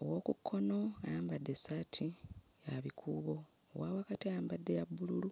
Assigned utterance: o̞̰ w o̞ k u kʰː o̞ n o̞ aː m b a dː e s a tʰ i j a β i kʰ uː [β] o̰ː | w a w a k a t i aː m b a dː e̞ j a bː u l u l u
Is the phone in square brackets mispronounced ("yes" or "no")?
no